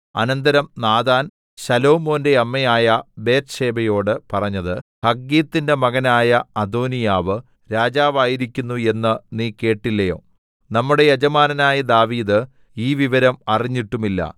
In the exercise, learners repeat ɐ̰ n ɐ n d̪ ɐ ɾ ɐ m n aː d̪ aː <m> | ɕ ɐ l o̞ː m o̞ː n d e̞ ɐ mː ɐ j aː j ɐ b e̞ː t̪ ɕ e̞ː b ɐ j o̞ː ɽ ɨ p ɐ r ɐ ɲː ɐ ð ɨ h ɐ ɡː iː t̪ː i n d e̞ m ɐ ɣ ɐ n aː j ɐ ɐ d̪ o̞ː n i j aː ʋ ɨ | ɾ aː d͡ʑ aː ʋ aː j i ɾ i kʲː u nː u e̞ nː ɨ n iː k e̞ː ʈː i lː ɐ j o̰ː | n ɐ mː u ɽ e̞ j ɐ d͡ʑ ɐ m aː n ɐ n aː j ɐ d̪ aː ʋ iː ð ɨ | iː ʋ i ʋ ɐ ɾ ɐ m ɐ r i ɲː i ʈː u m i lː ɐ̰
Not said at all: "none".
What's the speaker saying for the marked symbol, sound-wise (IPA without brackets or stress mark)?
n